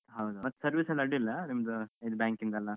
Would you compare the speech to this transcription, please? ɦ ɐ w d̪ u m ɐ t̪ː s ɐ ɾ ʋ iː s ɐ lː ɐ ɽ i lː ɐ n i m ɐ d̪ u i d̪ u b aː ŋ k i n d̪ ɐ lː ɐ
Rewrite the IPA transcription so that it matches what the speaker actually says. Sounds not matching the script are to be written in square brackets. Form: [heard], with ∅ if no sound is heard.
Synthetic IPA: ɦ ɐ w d̪ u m ɐ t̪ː s ɐ ɾ ʋ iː s ɐ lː ɐ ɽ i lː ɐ n i m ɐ d̪ u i d̪ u b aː ŋ k i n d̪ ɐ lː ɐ